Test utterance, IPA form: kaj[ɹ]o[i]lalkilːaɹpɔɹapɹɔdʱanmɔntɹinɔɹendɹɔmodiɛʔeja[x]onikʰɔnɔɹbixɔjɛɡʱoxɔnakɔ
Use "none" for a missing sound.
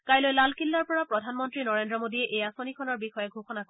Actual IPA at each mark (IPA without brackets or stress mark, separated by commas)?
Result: l, j, s